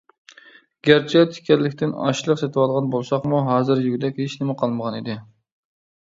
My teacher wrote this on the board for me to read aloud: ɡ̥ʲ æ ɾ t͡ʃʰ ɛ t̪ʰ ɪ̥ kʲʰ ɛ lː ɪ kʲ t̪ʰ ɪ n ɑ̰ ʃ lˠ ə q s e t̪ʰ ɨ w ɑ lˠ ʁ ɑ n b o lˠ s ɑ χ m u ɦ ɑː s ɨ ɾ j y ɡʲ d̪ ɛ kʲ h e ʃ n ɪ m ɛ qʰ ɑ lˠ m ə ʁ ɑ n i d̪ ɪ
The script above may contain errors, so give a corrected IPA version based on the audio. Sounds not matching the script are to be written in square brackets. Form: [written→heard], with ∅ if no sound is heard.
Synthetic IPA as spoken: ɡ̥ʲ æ ɾ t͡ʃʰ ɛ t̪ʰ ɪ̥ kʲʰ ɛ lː ɪ kʲ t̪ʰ ɪ n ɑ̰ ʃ lˠ ə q s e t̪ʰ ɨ w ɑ lˠ ʁ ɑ n b o lˠ s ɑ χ m u ɦ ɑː [s→z] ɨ ɾ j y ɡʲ d̪ ɛ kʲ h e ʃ n ɪ m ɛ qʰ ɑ lˠ m ə ʁ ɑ n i d̪ ɪ